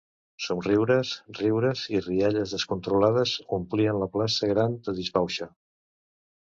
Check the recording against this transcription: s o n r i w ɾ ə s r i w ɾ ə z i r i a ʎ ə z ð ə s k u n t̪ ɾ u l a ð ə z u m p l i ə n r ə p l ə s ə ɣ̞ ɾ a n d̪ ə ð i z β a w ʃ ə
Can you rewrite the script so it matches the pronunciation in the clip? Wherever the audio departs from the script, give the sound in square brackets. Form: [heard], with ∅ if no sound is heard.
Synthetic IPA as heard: s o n r i w ɾ ə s r i w ɾ ə z i r i a ʎ ə z ð ə s k u n t̪ ɾ u l a ð ə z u m p l i ə n [l] ə p l [a] s ə ɣ̞ ɾ a n d̪ ə ð i z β a w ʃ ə